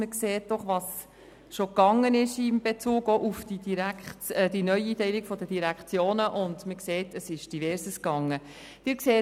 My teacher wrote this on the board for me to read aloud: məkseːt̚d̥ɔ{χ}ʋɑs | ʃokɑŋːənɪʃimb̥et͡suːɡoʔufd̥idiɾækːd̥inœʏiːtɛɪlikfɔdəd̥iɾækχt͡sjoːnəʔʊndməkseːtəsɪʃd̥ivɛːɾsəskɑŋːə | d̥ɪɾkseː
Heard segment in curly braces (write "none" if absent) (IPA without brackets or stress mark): χ